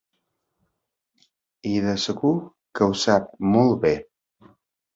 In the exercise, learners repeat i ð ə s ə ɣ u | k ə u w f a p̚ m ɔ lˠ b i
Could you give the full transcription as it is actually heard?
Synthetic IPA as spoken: i ð ə s ə ɣ u | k ə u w s a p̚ m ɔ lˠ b e

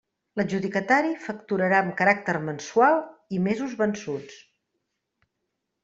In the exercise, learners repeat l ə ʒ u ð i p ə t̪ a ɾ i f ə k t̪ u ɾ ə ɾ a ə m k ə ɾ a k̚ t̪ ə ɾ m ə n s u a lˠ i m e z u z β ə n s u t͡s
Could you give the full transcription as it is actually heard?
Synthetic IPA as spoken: l ə ʒ u ð i k ə t̪ a ɾ i f ə k t̪ u ɾ ə ɾ a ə m k ə ɾ a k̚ t̪ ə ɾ m ə n s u a lˠ i m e z u z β ə n s u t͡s

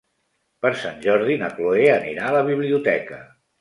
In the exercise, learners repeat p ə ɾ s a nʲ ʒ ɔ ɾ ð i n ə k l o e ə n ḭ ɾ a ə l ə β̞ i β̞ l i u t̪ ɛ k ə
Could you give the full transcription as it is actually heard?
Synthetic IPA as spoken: p ə ɾ s a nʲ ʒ ɔ ɾ ð i n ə k l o e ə n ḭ ɾ a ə l ə β̞ i β̞ l i u t̪ ɛ k ə

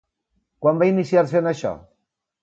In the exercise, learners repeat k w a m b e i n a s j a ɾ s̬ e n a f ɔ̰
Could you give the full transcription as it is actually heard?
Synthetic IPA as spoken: k w a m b a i n i s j a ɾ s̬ e n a ʃ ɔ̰

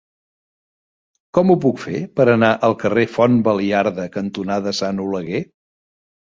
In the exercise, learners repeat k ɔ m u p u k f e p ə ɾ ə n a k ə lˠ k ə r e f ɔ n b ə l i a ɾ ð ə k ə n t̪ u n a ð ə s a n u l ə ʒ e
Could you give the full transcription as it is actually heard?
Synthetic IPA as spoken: k ɔ m u p u k f e p ə ɾ ə n a ʔ ə lˠ k ə r e f ɔ n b ə l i a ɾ ð ə k ə n t̪ u n a ð ə s a n u l ə ɣ e

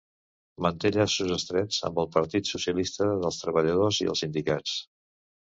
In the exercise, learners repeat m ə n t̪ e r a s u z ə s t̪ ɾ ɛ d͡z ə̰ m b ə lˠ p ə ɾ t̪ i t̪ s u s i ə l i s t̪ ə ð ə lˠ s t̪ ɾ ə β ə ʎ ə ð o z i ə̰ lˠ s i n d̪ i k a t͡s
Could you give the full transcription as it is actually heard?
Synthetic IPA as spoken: m ə n t̪ e ʎ a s u z ə s t̪ ɾ ɛ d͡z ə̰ m b ə lˠ p ə ɾ t̪ i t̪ s u s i ə l i s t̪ ə ð ə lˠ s t̪ ɾ ə β ə ʎ ə ð o z i ə̰ lˠ s i n d̪ i k a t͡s

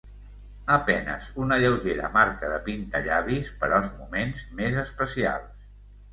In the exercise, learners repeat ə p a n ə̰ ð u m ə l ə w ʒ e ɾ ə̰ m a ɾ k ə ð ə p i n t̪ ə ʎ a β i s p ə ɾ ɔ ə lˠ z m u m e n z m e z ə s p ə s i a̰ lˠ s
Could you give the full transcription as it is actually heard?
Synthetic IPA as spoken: ə p ɛ n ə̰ z u n ə ʎ ə w ʒ e ɾ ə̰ m a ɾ k ə ð ə p i n t̪ ə ʎ a β i s p ə ɾ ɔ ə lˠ z m u m e n z m e z ə s p ə s i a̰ lˠ s

